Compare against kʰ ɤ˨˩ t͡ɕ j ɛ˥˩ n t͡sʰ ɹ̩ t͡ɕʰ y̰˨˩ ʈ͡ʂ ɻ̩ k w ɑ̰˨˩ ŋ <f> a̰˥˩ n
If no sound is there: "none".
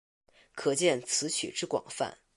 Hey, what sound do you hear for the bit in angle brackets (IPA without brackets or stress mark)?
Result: f